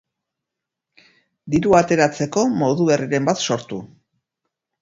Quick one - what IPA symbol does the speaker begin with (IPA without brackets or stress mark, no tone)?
d̪